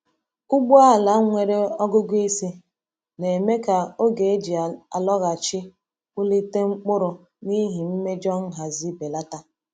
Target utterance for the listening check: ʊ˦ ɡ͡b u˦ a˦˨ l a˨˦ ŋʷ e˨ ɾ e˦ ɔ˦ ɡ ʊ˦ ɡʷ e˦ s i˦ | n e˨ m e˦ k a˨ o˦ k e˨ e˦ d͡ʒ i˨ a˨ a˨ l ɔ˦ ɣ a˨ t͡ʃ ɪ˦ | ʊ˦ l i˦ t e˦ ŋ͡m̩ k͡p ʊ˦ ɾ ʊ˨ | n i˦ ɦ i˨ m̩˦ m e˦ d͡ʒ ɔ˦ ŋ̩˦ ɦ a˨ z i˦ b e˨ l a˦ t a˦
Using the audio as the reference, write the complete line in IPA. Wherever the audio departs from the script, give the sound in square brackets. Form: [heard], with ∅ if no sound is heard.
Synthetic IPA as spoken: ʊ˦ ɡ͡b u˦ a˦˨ l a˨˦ ŋʷ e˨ ɾ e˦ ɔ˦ ɡ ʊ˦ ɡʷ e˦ s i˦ | n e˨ m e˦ k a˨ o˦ [ɡ] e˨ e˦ d͡ʒ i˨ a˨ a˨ l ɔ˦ ɣ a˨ t͡ʃ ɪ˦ | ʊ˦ l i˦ t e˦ ŋ͡m̩ k͡p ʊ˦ ɾ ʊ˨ | n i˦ ɦ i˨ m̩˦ m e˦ d͡ʒ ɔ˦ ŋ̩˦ ɦ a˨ z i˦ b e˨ l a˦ t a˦